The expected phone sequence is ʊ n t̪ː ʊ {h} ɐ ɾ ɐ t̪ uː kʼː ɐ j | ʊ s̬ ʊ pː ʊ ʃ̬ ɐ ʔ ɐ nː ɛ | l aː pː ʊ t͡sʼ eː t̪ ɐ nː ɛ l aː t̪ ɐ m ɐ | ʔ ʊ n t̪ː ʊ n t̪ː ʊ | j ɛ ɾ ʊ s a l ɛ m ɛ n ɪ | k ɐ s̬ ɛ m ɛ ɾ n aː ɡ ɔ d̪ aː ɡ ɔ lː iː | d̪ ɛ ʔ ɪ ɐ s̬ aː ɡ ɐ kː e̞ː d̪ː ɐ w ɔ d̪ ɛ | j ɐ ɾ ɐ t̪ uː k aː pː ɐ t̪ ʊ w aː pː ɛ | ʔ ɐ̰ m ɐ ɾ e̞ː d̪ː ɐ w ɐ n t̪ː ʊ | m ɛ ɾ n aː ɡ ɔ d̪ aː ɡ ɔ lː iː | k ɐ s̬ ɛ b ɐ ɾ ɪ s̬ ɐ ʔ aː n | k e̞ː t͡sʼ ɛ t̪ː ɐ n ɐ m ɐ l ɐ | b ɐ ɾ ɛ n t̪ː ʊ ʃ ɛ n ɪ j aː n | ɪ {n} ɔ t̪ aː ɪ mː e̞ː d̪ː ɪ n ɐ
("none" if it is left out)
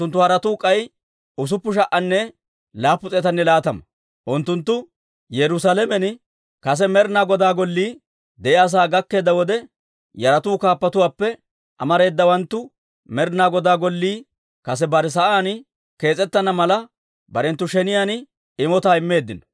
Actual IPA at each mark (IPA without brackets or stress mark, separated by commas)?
h, m